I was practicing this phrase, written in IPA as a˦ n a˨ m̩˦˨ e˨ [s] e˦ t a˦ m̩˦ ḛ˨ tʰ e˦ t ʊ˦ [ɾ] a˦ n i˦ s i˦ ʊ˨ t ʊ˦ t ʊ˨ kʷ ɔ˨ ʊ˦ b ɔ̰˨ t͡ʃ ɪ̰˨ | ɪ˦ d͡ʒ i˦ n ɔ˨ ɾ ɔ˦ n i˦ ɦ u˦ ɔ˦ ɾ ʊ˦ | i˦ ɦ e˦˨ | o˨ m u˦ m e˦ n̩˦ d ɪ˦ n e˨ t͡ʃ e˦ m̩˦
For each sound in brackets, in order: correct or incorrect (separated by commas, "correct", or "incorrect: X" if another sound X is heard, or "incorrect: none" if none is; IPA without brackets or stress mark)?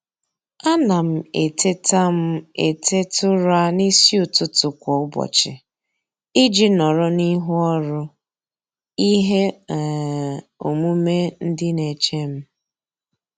incorrect: t, correct